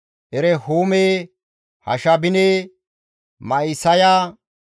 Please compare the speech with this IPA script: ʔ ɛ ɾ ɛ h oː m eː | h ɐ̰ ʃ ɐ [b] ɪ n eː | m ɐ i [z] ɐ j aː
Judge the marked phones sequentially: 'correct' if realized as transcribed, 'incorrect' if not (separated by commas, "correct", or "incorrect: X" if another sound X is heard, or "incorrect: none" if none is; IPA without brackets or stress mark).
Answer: correct, incorrect: s